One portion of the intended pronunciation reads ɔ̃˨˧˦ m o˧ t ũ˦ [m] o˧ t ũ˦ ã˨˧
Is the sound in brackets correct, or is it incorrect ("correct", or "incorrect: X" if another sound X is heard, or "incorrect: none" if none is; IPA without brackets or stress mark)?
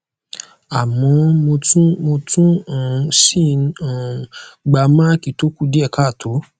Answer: correct